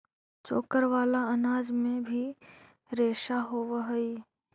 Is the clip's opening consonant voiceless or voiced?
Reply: voiceless